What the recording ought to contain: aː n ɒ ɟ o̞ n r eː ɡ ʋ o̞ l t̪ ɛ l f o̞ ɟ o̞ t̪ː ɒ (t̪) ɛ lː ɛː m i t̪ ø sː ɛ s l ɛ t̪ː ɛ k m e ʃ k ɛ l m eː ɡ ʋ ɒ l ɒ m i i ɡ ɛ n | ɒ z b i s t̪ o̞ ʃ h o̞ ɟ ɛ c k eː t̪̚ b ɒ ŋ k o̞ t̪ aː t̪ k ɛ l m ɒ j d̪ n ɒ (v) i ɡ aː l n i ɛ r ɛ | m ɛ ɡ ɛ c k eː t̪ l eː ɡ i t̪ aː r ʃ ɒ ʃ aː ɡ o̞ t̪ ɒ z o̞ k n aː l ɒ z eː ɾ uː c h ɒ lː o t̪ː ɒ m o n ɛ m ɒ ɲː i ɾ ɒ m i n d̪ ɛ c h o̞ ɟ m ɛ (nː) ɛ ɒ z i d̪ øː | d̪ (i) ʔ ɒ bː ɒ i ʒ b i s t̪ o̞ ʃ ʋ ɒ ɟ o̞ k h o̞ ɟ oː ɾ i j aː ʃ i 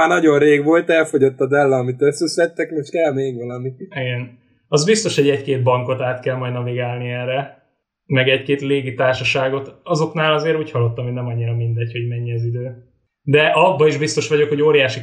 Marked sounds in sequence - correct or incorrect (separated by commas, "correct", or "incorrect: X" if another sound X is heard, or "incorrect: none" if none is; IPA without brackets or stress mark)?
incorrect: d̪, correct, incorrect: ɲː, incorrect: ɛ